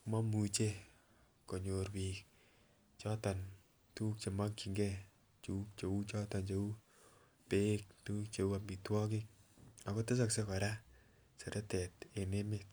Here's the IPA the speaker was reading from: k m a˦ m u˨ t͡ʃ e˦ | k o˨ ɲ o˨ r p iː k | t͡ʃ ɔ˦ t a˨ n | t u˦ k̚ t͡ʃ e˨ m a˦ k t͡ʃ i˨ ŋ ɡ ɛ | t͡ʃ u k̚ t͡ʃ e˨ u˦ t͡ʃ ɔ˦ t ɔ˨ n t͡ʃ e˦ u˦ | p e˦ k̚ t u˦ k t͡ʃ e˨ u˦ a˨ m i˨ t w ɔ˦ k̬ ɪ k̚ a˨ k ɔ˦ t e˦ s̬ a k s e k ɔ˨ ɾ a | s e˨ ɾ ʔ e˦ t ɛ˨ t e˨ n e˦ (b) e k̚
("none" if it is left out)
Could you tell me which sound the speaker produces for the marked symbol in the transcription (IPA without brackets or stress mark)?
m